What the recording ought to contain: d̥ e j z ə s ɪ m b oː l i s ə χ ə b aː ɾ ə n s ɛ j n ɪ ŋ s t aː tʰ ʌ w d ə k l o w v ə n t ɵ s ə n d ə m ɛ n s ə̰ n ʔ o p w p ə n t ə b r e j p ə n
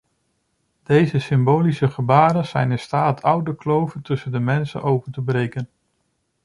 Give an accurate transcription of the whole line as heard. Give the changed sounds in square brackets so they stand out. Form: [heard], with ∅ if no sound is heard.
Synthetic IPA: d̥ e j z ə s ɪ m b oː l i s ə χ ə b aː ɾ ə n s ɛ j n ɪ [n] s t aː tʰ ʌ w d ə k l o w v ə n t ɵ s ə n d ə m ɛ n s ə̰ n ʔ o [∅] w p ə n t ə b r e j [k] ə n